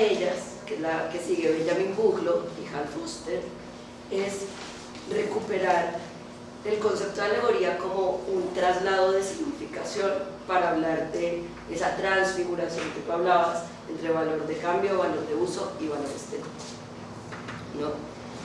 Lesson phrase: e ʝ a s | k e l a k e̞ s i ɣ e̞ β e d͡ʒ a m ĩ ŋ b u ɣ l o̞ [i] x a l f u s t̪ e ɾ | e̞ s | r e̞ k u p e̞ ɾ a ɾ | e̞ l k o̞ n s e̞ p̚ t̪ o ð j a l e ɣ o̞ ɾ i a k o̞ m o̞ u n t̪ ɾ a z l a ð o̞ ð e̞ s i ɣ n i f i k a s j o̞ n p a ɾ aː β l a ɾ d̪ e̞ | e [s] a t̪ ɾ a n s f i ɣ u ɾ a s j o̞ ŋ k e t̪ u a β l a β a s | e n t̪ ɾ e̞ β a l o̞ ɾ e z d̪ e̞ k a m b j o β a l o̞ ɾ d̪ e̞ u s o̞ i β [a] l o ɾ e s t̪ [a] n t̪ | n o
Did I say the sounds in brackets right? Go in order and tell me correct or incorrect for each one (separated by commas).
correct, correct, correct, incorrect